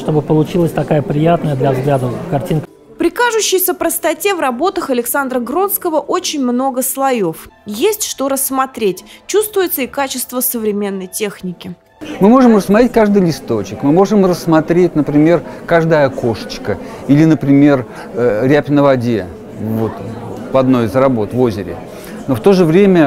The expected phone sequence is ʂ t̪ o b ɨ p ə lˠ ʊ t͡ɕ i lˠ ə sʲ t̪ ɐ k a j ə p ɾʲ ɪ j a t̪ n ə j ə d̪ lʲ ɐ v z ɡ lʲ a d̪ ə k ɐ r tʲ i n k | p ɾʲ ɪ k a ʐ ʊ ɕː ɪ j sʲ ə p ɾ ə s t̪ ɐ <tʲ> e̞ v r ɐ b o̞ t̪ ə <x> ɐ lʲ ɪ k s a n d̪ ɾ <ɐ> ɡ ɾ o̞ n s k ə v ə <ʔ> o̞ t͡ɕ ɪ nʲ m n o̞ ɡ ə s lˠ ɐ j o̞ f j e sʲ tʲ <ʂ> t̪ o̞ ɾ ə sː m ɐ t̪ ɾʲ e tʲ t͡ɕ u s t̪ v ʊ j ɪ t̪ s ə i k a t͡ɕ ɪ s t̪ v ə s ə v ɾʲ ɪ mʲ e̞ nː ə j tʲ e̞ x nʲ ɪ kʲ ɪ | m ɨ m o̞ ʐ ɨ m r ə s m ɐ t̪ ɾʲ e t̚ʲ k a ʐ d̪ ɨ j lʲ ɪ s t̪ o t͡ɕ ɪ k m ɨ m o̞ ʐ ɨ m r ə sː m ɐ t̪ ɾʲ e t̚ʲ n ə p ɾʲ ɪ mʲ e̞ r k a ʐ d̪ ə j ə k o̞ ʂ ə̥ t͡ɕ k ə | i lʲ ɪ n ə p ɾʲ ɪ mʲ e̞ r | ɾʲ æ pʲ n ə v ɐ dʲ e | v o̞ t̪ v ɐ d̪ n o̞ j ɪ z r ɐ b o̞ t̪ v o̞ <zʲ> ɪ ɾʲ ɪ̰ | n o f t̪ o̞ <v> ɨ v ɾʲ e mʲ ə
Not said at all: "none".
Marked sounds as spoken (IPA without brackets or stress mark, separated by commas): tʲ, x, ə, ʔ, ʂ, zʲ, ʐ